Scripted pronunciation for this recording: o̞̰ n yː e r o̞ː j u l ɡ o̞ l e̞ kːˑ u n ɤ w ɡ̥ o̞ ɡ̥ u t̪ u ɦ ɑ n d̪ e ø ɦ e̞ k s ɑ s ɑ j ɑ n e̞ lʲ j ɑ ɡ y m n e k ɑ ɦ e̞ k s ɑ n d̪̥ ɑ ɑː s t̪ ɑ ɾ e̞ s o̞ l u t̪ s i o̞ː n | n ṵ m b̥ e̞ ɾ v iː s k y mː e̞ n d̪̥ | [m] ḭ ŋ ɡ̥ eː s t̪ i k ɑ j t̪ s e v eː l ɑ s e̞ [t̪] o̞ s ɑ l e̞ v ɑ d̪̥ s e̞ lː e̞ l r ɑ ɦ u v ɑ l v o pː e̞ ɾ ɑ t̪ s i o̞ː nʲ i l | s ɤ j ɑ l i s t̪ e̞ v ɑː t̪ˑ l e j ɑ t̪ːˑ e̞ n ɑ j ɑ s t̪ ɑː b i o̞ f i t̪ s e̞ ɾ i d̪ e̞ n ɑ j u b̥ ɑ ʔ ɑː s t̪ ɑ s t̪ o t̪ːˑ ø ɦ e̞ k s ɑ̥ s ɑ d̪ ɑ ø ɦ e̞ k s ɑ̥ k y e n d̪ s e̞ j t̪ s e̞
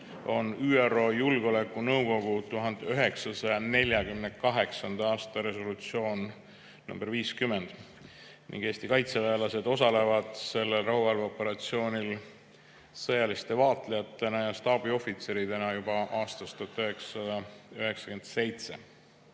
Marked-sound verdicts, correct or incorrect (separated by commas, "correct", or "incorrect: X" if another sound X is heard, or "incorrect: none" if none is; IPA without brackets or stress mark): incorrect: n, incorrect: d̪